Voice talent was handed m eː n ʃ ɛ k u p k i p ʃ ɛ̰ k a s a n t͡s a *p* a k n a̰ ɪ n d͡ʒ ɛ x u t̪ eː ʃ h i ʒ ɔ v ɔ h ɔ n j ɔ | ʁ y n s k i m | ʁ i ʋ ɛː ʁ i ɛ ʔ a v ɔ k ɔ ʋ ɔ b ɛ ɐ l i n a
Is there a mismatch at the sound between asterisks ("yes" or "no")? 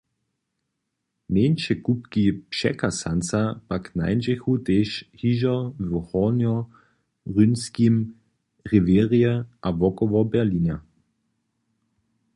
no